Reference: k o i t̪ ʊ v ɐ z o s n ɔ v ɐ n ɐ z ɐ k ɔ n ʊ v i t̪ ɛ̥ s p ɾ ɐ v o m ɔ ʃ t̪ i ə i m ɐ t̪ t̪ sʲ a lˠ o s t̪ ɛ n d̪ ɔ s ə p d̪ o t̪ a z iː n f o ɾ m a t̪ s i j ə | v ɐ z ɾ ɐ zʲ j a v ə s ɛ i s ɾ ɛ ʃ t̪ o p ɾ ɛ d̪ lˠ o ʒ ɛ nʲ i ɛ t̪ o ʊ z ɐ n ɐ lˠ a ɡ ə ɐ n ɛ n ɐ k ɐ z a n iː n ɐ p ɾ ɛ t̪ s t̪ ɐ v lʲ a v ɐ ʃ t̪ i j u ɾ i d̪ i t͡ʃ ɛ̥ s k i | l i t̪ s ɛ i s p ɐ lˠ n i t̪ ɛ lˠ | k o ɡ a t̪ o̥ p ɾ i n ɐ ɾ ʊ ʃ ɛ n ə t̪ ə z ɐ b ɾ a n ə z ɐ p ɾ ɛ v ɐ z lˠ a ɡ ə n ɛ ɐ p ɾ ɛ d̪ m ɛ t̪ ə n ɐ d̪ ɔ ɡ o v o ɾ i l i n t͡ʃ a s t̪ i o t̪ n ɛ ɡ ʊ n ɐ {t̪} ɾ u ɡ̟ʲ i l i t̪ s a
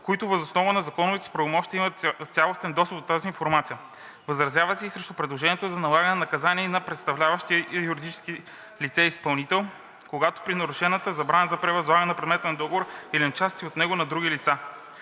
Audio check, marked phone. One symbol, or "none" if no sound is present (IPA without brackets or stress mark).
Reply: d̪